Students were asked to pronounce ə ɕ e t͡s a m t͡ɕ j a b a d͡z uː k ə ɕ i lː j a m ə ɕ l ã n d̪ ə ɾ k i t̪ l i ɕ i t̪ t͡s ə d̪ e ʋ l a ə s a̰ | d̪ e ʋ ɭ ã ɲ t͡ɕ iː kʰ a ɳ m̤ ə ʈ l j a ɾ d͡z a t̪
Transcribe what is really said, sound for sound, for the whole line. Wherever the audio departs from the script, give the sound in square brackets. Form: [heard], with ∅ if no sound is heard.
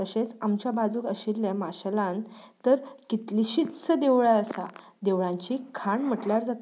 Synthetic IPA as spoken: ə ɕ e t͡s a m t͡ɕ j a b a d͡z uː k ə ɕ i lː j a m [a] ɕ l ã n [t̪] ə ɾ k i t̪ l i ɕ i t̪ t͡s ə d̪ e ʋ [ɭ] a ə s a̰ | d̪ e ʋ ɭ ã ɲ t͡ɕ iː kʰ a ɳ m̤ ə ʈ l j a ɾ d͡z a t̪